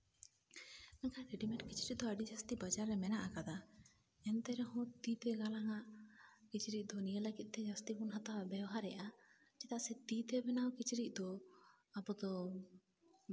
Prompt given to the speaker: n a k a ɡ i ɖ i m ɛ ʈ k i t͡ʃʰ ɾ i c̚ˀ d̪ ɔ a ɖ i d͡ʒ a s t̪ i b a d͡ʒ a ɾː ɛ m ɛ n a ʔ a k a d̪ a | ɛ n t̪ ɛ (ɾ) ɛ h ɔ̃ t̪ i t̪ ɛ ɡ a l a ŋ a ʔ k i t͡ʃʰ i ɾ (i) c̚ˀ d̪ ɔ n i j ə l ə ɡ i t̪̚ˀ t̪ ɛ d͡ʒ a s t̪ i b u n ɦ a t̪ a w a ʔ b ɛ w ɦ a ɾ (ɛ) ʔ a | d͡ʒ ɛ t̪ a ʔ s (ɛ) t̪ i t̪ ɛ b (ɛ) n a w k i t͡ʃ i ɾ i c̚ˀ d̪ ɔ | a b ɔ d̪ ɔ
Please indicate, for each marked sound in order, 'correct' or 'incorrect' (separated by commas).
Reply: correct, correct, correct, correct, correct